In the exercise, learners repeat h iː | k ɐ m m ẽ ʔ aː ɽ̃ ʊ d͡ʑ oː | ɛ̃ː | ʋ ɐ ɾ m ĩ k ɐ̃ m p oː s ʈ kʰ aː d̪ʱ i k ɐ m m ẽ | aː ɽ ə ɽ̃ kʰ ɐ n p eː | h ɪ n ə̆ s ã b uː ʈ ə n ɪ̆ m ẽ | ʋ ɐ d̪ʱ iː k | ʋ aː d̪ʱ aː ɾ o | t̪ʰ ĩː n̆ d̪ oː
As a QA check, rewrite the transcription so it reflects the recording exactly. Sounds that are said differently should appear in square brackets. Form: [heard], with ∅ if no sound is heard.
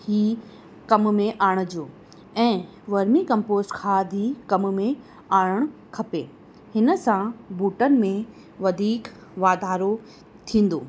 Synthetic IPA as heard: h iː | k ɐ m m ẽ ʔ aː ɽ̃ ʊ d͡ʑ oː | ɛ̃ː | ʋ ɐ ɾ m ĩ k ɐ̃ m p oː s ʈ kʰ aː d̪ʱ i k ɐ m m ẽ | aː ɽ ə ɽ̃ kʰ ɐ [∅] p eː | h ɪ n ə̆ s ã b uː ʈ ə n ɪ̆ m ẽ | ʋ ɐ d̪ʱ iː k | ʋ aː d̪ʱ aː ɾ o | t̪ʰ ĩː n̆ d̪ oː